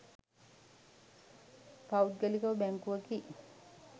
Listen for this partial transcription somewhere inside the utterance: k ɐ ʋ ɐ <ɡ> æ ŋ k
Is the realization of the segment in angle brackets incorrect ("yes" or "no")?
yes